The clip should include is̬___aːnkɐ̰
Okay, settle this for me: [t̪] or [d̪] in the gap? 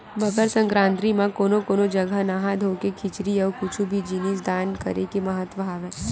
d̪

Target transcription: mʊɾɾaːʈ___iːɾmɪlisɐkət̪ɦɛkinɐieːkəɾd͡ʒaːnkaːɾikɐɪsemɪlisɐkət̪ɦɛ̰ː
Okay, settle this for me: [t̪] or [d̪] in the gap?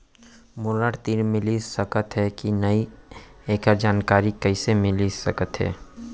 t̪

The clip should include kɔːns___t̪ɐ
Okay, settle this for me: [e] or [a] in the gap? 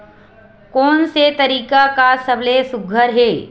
e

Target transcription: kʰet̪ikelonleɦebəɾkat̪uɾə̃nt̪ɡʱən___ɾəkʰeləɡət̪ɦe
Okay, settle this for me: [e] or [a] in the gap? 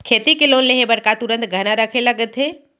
a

